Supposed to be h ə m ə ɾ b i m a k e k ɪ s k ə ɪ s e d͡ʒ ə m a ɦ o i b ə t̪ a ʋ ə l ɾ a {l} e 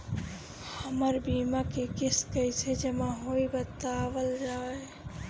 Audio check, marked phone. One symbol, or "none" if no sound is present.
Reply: none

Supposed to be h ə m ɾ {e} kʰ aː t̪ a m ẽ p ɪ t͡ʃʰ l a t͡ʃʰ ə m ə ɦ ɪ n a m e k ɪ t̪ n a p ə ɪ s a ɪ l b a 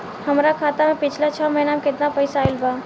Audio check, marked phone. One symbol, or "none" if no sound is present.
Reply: a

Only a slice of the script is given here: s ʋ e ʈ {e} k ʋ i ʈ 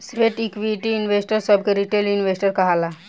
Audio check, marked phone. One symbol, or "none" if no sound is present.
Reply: i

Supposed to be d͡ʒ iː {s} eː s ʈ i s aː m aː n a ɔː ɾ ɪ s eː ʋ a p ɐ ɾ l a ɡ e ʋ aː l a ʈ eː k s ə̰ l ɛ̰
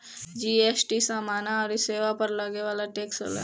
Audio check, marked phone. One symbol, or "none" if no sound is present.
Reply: none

